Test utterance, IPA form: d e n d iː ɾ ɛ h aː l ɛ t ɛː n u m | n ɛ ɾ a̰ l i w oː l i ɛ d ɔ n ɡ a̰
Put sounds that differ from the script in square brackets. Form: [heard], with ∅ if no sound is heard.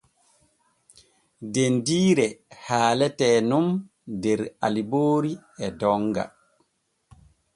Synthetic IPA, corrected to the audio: d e n d iː ɾ ɛ h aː l ɛ t ɛː n u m | [d] ɛ ɾ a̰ l i [b] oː [ɾ] i ɛ d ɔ [ŋ] ɡ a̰